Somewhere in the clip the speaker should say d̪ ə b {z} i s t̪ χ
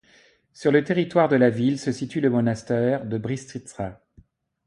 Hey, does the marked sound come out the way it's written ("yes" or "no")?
no